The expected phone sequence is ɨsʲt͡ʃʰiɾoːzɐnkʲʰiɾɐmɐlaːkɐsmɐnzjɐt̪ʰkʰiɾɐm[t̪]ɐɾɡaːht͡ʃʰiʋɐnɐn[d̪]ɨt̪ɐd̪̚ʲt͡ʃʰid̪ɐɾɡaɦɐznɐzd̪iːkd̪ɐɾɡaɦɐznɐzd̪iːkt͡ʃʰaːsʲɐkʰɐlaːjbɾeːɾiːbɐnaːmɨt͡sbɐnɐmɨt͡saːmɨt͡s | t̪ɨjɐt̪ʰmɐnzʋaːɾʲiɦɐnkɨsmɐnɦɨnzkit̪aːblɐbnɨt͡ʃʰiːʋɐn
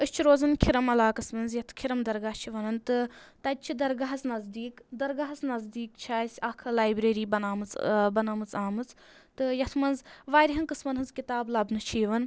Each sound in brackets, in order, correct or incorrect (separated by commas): incorrect, incorrect